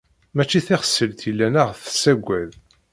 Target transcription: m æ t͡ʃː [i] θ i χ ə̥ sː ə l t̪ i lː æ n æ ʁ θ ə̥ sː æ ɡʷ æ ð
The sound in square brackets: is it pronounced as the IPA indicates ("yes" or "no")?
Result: yes